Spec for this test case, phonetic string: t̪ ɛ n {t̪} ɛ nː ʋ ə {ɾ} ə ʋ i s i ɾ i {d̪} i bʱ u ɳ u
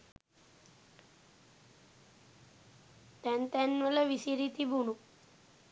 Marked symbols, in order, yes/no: yes, no, no

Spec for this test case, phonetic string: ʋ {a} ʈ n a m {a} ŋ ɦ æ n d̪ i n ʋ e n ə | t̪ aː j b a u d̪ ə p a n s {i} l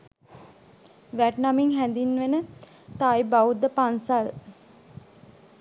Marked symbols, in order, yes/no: no, no, no

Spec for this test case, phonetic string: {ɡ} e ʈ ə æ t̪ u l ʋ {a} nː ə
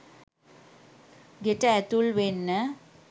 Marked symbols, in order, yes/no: yes, no

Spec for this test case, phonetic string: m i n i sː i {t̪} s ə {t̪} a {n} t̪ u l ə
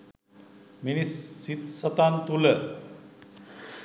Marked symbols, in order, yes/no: yes, yes, yes

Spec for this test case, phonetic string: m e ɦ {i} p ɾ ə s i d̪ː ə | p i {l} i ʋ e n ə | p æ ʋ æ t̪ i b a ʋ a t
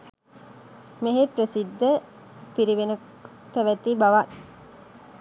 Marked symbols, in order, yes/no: no, no

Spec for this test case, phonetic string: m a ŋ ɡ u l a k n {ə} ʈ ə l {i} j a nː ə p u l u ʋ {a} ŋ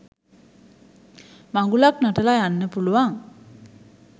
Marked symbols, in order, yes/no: no, no, yes

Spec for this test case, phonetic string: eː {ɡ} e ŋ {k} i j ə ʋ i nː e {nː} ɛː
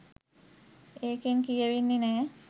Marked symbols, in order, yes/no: no, yes, no

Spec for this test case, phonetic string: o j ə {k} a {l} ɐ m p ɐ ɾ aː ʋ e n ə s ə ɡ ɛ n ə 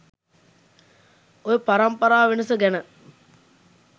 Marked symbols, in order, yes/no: no, no

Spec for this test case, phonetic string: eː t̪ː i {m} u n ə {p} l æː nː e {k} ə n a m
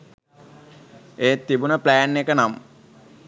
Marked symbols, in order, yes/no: no, yes, yes

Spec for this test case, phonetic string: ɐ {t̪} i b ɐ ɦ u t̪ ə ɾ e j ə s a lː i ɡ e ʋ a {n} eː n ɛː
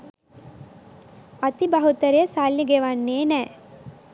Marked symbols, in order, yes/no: yes, no

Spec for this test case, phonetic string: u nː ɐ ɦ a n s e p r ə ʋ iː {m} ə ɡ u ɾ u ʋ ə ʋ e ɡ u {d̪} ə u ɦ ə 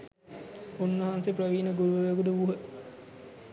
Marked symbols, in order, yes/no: no, yes

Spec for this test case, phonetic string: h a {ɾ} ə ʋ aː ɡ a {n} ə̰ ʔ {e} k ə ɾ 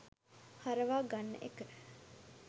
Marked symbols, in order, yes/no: yes, no, yes

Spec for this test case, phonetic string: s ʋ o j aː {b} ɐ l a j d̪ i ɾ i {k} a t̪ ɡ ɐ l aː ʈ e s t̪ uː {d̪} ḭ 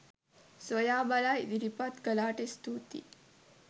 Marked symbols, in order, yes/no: yes, no, no

